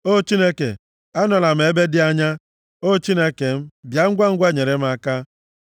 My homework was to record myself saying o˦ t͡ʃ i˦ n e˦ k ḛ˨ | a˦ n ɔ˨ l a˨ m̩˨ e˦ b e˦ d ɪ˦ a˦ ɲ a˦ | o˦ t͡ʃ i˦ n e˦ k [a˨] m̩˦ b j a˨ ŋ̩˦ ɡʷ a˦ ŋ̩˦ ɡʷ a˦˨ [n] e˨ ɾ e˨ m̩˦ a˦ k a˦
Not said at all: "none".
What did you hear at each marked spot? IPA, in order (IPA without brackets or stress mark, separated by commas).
e˨, ɲ